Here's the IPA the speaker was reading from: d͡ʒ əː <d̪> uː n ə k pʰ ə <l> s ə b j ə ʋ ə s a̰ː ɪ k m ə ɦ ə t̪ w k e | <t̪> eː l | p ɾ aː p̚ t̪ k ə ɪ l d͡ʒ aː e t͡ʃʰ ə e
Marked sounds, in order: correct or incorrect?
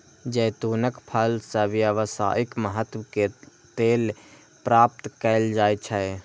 incorrect: t̪, correct, correct

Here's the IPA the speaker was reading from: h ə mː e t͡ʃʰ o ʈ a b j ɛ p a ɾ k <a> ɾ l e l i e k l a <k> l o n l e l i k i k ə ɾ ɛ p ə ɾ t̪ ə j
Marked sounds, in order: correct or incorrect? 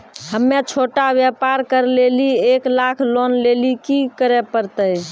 incorrect: ə, incorrect: kʰ

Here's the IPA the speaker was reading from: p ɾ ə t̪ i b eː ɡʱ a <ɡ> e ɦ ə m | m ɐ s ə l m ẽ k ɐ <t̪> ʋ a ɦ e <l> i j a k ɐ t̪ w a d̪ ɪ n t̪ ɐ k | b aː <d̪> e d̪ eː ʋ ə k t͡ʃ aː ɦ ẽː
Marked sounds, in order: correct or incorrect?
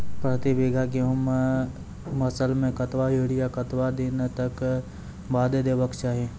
incorrect: k, correct, incorrect: ɽ, correct

